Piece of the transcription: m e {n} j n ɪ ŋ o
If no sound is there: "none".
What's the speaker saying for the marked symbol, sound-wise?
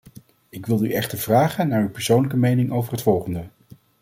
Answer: none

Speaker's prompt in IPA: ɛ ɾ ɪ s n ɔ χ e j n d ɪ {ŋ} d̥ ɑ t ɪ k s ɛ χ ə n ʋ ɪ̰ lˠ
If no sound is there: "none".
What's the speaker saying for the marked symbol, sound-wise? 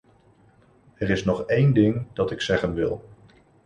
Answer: ŋ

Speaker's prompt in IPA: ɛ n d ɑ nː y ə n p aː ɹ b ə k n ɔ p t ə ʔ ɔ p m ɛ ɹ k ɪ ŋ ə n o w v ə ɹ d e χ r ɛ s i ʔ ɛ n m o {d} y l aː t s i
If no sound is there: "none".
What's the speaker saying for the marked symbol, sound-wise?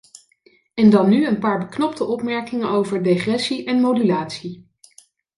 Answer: d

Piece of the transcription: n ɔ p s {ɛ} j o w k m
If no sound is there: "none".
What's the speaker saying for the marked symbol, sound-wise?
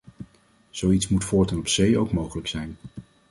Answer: e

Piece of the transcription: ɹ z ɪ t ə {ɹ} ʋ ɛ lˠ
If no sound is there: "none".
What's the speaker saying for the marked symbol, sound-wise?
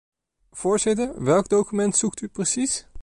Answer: ɹ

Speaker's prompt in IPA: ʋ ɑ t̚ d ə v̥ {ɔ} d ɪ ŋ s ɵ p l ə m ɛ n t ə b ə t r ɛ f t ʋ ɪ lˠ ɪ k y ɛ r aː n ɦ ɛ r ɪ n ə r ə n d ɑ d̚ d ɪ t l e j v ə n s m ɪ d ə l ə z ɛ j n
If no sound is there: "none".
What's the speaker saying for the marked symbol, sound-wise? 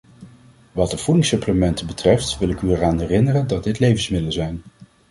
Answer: u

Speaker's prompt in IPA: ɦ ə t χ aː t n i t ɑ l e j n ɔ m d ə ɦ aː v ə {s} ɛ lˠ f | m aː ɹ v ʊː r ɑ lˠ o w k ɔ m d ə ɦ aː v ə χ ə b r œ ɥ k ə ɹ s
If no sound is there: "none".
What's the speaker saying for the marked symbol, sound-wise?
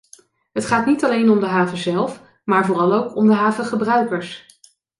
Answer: z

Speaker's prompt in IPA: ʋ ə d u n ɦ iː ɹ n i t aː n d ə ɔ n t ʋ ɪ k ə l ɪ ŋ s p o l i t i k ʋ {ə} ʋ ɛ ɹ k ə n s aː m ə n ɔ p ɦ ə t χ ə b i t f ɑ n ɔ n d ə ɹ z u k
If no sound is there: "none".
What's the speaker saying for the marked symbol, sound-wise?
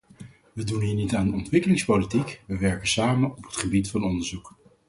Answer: ə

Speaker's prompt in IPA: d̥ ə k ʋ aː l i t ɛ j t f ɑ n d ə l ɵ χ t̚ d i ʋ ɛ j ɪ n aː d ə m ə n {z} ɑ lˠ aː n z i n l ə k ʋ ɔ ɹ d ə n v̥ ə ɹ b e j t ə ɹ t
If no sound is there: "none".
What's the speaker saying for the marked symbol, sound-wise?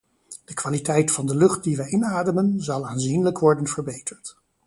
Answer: z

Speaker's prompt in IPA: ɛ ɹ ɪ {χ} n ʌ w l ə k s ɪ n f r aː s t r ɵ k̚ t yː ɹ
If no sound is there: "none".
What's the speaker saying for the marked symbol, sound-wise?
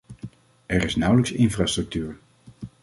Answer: s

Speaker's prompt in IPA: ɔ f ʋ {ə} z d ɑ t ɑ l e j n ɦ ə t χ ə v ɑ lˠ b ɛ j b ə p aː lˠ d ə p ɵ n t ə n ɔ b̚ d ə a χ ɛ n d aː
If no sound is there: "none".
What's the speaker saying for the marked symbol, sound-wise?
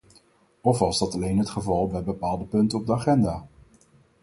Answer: ɑ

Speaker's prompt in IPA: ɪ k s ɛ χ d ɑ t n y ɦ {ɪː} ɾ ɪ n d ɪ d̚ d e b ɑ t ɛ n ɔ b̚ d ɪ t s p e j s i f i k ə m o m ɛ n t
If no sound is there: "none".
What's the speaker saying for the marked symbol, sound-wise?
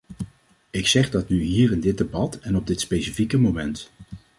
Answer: iː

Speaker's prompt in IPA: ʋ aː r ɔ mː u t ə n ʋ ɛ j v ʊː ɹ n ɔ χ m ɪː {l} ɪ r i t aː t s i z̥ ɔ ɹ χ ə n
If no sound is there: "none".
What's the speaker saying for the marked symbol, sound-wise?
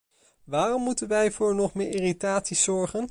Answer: ɹ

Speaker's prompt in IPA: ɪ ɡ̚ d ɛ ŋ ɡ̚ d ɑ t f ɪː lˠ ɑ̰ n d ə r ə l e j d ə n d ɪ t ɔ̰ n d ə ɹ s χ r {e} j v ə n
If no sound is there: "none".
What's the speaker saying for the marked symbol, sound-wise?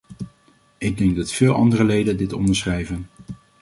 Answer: ɛ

